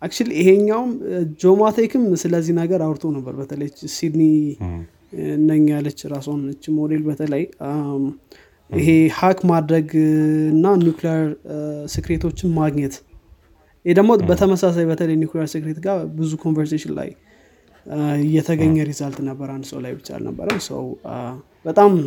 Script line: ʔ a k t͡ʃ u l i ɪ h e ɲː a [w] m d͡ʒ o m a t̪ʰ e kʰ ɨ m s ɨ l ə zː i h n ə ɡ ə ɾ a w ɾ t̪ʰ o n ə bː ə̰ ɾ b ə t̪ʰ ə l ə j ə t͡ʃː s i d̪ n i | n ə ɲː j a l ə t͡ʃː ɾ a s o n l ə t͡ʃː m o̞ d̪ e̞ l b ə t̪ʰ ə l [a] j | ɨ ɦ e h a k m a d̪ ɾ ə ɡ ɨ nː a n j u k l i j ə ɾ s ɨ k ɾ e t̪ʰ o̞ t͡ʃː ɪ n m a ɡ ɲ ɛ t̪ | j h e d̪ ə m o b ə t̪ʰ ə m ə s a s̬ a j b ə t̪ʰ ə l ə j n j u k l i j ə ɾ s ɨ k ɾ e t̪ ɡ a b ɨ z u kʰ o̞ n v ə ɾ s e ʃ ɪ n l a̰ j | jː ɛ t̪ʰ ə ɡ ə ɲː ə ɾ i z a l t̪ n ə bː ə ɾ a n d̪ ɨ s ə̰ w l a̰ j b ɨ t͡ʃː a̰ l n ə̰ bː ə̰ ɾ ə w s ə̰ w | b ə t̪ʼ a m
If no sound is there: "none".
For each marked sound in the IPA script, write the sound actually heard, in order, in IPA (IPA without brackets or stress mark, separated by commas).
w, ə